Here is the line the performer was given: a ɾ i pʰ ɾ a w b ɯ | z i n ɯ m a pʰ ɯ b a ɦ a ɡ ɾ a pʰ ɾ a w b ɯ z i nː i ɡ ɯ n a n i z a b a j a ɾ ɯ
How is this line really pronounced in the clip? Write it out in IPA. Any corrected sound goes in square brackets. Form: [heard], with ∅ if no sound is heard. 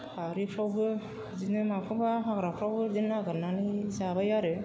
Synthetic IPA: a ɾ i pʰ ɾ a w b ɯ | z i n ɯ m a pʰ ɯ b a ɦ a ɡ ɾ a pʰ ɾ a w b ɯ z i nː [a] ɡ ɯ n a n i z a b a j a ɾ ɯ